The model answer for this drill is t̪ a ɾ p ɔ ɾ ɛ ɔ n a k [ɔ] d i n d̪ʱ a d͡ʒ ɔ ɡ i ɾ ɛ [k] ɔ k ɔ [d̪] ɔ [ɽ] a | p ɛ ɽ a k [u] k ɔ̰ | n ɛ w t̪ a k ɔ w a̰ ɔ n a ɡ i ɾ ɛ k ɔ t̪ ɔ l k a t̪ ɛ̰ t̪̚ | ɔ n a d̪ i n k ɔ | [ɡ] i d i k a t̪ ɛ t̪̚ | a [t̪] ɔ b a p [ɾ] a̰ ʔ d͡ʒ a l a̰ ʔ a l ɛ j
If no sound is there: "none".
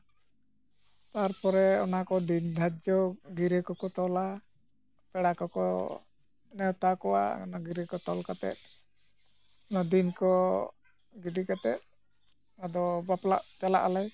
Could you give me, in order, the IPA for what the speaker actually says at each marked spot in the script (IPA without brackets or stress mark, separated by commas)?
ɔ, k, t̪, l, ɔ, ɡ, d̪, l